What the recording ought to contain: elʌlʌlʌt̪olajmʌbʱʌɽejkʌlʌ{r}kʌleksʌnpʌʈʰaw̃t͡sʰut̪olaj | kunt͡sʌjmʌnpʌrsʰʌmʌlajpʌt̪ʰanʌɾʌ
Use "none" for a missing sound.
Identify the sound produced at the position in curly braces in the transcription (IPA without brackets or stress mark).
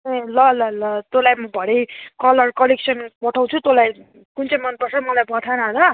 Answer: r